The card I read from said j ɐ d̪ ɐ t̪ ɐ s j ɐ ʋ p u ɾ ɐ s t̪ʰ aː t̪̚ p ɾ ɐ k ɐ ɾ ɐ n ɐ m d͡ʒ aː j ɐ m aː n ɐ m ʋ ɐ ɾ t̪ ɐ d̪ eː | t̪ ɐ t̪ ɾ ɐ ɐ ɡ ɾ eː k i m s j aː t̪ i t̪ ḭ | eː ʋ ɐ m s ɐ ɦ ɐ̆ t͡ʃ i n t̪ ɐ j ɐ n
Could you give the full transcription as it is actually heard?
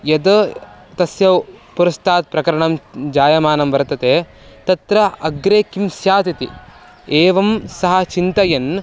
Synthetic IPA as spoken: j ɐ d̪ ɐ t̪ ɐ s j ɐ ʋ p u ɾ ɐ s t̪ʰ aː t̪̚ p ɾ ɐ k ɐ ɾ ɐ ɳ ɐ m d͡ʒ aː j ɐ m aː n ɐ m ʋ ɐ ɾ t̪ ɐ t̪ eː | t̪ ɐ t̪ ɾ ɐ ɐ ɡ ɾ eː k i m s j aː t̪ i t̪ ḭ | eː ʋ ɐ m s ɐ ɦ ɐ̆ t͡ʃ i n t̪ ɐ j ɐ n